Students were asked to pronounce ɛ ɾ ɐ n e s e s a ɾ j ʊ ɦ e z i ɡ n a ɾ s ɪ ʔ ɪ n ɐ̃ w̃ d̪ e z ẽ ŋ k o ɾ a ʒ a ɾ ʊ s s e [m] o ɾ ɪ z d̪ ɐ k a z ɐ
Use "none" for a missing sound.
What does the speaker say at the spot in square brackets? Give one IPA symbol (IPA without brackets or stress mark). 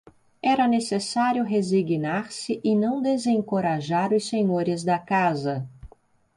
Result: ɲ